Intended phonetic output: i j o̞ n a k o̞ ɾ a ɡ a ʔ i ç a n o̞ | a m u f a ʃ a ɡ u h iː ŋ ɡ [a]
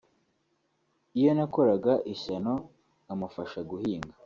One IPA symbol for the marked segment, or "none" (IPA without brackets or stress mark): a